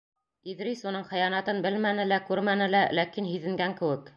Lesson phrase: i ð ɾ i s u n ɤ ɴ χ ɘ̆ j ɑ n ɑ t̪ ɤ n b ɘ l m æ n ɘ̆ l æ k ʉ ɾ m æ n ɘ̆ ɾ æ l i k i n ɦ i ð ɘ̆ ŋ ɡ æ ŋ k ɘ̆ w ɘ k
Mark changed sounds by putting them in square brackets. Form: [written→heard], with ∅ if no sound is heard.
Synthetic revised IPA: i ð ɾ i s u n ɤ ɴ χ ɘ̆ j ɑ n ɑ t̪ ɤ n b ɘ l m æ n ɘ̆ l æ k ʉ ɾ m æ n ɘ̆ [ɾ→l] æ l [i→æ] k i n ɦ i ð ɘ̆ ŋ ɡ æ ŋ k ɘ̆ w ɘ k